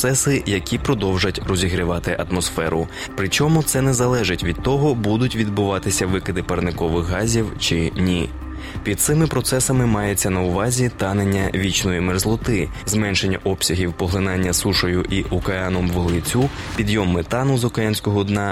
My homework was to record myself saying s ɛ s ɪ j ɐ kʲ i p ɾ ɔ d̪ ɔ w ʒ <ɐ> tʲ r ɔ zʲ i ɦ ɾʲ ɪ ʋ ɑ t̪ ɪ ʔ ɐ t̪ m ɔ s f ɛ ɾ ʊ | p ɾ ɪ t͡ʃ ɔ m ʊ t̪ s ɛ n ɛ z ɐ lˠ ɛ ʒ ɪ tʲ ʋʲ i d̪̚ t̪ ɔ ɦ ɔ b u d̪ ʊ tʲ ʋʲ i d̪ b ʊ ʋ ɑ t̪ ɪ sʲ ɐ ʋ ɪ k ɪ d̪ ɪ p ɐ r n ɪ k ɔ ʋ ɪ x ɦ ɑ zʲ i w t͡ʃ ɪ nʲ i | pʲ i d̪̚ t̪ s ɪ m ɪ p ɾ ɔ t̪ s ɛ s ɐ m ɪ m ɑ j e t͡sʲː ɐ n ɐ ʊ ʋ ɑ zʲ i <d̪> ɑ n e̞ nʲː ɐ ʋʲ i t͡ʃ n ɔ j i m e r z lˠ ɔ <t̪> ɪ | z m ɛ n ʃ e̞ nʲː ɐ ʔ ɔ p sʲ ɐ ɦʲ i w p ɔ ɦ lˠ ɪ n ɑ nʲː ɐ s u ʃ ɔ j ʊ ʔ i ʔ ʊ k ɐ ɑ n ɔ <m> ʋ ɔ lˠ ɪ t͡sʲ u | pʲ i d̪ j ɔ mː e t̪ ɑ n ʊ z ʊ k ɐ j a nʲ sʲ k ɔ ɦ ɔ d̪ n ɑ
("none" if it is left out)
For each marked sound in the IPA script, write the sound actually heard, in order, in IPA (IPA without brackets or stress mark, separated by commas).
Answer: ɐ, t̪, t̪, m